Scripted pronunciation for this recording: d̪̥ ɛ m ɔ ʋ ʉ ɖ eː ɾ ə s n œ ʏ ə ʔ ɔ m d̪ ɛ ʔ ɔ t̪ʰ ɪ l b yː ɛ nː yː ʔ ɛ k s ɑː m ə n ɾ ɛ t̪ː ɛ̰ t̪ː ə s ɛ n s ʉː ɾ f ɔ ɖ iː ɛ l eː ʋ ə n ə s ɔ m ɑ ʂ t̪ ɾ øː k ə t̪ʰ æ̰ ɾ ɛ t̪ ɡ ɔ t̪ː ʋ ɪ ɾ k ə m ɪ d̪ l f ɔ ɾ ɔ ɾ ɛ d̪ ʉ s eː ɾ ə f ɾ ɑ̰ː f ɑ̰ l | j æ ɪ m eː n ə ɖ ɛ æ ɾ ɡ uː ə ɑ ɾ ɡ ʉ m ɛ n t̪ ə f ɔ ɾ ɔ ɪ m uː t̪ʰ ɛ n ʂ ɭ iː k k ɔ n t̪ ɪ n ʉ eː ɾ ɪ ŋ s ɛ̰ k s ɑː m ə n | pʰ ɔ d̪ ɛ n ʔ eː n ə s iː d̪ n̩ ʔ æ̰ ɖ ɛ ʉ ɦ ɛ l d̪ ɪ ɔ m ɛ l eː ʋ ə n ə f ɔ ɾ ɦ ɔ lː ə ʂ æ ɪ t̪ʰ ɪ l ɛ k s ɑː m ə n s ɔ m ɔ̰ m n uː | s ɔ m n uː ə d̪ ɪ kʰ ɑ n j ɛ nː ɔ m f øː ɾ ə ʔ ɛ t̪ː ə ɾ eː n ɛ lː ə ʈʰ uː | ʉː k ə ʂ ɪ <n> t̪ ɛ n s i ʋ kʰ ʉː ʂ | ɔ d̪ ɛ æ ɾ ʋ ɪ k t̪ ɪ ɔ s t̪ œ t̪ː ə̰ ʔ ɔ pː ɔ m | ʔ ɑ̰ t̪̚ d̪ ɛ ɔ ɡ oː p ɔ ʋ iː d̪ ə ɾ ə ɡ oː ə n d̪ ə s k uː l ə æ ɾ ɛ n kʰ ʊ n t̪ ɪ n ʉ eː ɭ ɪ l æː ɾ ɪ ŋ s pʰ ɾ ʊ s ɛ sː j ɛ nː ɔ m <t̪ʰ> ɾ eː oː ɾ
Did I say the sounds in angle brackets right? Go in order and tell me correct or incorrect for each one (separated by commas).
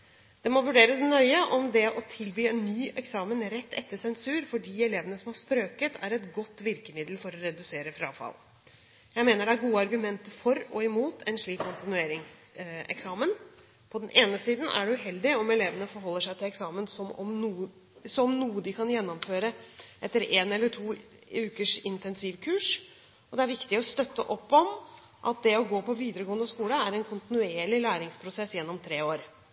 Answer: correct, correct